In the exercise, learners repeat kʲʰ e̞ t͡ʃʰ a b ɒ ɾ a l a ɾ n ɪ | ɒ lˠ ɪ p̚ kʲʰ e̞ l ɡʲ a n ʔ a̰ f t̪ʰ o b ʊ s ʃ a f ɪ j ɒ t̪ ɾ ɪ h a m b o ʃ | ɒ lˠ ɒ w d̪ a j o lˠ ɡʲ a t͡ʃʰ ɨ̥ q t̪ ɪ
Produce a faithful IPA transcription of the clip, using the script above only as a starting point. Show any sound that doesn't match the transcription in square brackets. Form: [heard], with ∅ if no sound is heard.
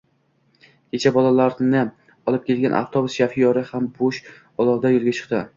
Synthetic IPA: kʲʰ e̞ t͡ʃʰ a b ɒ [l] a l a ɾ n ɪ | ɒ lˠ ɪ p̚ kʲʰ e̞ l ɡʲ a n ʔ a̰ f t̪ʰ o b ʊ s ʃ a f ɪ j ɒ [∅] ɾ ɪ h a m b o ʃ | ɒ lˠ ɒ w d̪ a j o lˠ ɡʲ a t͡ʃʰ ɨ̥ q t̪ ɪ